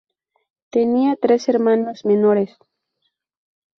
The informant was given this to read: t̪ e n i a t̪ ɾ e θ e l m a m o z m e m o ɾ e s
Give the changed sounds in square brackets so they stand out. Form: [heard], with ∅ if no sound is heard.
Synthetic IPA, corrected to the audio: t̪ e n i a t̪ ɾ e [s] e [ɾ] m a [n] o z m e [n] o ɾ e s